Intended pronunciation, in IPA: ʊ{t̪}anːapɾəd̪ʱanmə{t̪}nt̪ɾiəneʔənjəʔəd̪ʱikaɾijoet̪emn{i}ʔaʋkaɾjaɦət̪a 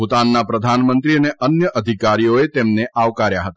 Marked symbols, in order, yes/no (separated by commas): yes, no, no